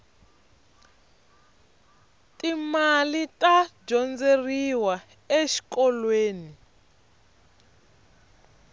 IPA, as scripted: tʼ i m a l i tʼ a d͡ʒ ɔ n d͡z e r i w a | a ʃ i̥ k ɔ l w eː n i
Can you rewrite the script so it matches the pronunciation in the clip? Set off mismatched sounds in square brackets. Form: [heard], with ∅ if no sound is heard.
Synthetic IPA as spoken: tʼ i m a l i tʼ a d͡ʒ ɔ n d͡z e r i w a | [e] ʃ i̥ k ɔ l w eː n i